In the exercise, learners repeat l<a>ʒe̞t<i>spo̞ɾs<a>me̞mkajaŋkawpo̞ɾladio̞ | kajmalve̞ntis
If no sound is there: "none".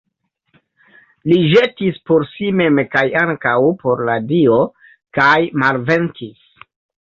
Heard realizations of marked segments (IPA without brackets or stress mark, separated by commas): i, i, i